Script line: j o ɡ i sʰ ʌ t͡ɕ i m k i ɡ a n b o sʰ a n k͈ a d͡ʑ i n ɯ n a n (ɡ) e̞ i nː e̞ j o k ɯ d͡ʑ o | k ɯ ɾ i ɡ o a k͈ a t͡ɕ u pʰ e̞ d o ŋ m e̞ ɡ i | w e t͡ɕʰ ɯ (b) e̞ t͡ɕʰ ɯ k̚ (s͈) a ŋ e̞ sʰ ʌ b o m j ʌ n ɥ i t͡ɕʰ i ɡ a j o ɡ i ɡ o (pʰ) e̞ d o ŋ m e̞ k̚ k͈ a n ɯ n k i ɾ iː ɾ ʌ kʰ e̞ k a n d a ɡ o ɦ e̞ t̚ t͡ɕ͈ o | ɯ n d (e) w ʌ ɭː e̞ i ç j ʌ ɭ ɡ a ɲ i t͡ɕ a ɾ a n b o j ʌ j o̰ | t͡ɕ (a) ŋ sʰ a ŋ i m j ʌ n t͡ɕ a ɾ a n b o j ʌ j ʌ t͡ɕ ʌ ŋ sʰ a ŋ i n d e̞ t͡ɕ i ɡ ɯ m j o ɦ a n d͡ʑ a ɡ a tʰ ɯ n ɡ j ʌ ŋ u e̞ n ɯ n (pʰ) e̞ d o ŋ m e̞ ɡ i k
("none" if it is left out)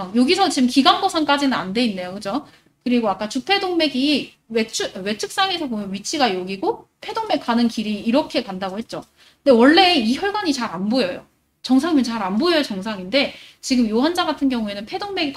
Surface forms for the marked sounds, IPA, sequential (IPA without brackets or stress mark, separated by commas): d, w, s͈, pʰ, e, ʌ, pʰ